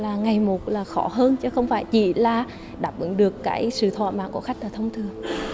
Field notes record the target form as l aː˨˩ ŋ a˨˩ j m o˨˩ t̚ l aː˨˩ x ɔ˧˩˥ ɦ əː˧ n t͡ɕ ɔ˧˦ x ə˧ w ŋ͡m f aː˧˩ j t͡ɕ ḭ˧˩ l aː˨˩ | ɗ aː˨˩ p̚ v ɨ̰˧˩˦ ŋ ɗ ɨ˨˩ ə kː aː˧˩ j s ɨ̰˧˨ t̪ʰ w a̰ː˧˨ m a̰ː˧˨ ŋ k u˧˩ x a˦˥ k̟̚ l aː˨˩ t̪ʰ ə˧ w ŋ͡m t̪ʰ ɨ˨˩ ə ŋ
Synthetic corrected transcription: l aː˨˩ ŋ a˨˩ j m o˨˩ t̚ l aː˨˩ x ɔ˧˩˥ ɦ əː˧ n t͡ɕ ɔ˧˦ x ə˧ w ŋ͡m f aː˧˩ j t͡ɕ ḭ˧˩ l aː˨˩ | ɗ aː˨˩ p̚ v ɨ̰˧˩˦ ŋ ɗ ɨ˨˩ ə kː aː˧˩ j s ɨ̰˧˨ t̪ʰ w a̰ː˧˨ m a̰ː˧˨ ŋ k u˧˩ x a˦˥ k̟̚ l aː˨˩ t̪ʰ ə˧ w ŋ͡m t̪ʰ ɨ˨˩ ə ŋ